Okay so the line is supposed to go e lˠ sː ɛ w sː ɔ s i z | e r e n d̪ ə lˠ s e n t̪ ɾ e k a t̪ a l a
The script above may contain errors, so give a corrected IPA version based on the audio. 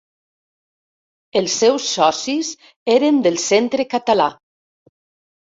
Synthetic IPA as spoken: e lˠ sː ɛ w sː ɔ s i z | e ɾ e n d̪ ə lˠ s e n t̪ ɾ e k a t̪ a l a